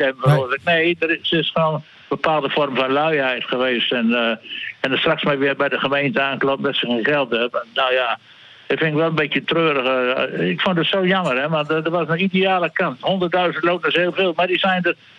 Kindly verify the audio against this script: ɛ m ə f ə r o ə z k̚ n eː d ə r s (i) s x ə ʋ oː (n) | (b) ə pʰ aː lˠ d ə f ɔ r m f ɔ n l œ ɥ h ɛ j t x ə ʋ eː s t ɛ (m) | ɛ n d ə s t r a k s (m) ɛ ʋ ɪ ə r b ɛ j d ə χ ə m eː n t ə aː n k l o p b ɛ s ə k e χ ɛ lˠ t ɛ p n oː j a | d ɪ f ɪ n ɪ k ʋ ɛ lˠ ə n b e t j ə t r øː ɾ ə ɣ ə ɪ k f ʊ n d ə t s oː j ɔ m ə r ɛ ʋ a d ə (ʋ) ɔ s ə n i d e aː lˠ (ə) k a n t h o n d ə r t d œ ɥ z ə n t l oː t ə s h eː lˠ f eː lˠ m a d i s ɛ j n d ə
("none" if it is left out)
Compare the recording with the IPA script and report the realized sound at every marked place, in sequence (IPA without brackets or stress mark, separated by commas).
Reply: ɪ, n, b, n, m, ʋ, ə